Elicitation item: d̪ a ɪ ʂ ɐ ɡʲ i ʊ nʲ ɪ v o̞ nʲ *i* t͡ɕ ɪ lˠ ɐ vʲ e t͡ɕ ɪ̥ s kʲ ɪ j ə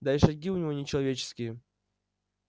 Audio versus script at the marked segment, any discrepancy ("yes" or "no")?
yes